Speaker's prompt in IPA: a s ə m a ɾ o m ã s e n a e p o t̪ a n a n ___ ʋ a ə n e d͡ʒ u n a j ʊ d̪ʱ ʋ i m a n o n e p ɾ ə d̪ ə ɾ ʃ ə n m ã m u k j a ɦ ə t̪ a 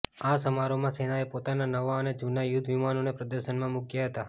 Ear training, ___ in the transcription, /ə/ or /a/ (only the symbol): ə